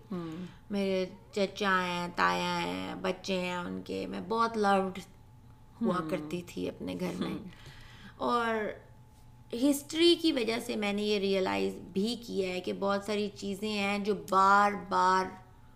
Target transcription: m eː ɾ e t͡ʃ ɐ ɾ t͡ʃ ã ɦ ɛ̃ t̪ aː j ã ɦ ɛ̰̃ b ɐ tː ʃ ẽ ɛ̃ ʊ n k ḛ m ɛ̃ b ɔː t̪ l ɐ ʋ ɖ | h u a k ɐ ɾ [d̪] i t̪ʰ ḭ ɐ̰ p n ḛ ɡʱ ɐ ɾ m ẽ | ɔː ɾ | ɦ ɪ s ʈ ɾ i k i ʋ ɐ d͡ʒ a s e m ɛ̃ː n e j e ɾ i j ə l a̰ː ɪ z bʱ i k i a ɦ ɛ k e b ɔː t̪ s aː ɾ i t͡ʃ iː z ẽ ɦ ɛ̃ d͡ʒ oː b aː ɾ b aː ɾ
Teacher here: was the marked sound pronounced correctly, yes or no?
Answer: no